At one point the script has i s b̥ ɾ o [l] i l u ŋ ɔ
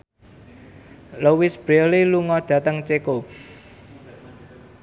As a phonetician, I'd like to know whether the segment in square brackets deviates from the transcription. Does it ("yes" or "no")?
no